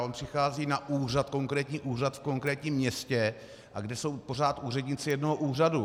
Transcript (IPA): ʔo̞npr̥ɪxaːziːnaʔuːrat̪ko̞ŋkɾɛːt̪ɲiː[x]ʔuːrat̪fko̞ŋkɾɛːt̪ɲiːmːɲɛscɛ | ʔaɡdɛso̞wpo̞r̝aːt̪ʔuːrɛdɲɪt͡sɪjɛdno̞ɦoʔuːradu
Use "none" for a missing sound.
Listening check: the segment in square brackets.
none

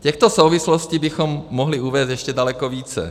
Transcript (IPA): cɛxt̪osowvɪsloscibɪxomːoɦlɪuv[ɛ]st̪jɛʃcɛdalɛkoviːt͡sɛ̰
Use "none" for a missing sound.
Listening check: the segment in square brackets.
ɛː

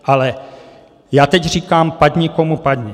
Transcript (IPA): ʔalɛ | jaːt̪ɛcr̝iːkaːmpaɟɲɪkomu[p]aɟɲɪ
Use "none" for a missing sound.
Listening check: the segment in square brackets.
p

